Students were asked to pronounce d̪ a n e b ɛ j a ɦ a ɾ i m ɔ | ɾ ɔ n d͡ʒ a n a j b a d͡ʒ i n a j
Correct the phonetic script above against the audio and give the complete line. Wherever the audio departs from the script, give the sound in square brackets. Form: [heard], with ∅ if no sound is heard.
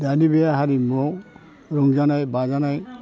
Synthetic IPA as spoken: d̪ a n [i] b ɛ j a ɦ a ɾ i m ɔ | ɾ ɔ [ŋ] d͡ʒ a n a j b a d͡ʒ [a] n a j